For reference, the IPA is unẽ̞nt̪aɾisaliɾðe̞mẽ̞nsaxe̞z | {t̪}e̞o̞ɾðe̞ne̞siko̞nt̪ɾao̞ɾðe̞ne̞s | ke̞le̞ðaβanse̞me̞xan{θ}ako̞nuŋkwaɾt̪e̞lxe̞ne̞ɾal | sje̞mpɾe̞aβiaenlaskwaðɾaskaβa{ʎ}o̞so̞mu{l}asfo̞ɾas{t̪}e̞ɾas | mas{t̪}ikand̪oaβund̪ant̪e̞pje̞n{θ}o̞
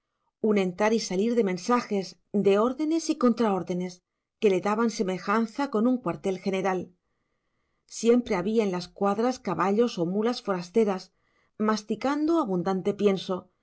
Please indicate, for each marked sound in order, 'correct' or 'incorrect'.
incorrect: d̪, correct, correct, correct, correct, correct, incorrect: s

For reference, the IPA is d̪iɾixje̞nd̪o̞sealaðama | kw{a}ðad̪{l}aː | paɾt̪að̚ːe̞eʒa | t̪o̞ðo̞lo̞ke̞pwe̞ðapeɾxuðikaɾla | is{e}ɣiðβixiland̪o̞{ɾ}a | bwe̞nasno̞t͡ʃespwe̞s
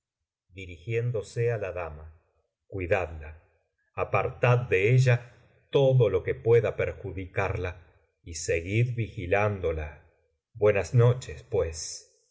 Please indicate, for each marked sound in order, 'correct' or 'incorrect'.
incorrect: i, correct, correct, incorrect: l

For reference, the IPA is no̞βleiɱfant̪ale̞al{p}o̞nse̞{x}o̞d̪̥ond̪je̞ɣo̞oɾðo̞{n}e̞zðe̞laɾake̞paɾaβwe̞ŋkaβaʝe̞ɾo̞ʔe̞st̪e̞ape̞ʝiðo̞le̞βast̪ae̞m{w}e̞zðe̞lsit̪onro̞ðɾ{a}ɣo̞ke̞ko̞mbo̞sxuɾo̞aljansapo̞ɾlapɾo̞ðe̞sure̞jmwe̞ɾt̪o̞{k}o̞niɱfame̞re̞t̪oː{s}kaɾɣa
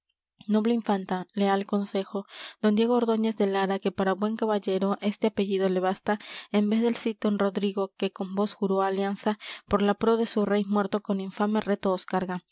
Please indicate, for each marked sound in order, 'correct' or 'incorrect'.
incorrect: k, correct, incorrect: ɲ, incorrect: b, incorrect: i, correct, correct

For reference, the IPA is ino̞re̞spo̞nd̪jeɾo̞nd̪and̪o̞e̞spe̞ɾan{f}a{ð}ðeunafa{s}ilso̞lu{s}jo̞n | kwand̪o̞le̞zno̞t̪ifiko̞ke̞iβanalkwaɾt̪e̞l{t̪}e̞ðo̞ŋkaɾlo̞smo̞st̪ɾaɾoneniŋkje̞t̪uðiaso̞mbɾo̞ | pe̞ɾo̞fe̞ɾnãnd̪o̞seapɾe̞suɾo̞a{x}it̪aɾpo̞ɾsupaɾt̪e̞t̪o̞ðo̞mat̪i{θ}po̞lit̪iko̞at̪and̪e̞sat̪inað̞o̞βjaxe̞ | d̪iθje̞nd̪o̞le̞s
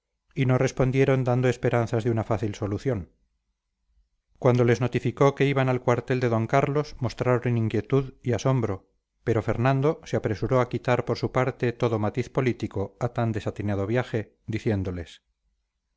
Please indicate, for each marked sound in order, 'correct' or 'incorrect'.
incorrect: θ, incorrect: z, incorrect: θ, incorrect: θ, incorrect: d̪, incorrect: k, correct

